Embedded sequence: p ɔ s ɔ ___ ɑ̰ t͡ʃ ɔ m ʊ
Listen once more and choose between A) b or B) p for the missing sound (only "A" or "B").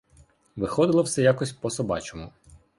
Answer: A